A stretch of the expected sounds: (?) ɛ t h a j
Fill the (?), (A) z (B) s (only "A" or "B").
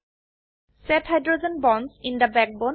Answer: B